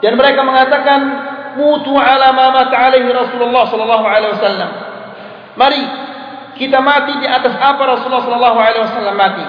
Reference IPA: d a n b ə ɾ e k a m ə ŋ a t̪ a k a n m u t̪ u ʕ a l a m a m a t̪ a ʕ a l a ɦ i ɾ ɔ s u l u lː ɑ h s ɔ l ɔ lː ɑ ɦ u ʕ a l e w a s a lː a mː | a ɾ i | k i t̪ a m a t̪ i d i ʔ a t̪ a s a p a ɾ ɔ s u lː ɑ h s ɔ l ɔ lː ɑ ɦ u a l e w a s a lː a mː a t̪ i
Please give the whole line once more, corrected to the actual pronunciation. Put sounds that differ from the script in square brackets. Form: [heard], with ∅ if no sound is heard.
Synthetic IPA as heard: d a n [m] ə ɾ e k a m ə ŋ a t̪ a k a n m u t̪ u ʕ a l a m a m a t̪ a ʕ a l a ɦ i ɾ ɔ s u l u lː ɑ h s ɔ l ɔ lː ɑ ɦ u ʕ a l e w a s a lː a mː | a ɾ i | k i t̪ a m a t̪ i d i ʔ a t̪ a s a p a ɾ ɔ s u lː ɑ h s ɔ l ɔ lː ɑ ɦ u a l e w a s a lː a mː a t̪ i